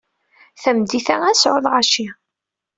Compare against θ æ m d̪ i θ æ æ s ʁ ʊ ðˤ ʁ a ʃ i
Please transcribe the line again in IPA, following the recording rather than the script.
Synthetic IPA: θ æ m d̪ i θ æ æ s ʕ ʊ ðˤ ʁ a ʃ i